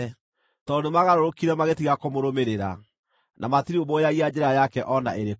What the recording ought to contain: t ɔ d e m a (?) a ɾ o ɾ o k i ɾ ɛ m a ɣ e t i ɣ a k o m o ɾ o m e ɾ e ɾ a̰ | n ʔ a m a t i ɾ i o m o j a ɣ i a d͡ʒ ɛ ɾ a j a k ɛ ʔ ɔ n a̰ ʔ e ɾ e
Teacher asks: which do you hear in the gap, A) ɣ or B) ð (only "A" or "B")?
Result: A